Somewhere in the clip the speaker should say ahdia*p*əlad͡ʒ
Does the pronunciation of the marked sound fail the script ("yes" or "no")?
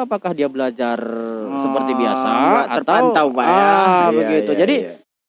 yes